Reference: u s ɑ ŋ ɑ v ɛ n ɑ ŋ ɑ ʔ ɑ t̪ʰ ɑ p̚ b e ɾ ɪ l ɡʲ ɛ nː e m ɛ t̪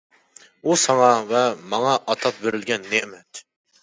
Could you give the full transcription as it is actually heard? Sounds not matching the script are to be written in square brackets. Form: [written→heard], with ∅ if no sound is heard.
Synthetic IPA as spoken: u s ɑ ŋ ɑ v ɛ [n→m] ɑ ŋ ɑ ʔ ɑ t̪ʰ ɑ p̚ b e ɾ ɪ l ɡʲ ɛ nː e m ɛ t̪